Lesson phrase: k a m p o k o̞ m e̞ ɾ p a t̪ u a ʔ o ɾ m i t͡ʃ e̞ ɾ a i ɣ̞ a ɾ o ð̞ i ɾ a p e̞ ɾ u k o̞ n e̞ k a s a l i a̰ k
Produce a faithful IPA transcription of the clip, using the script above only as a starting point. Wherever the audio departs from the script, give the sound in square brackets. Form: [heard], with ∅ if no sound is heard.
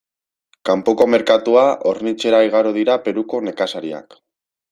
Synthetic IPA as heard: k a m p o k o̞ m e̞ ɾ [k] a t̪ u a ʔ o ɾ [n] i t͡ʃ e̞ ɾ a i ɣ̞ a ɾ o ð̞ i ɾ a p e̞ ɾ u k o̞ n e̞ k a s a [ɾ] i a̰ k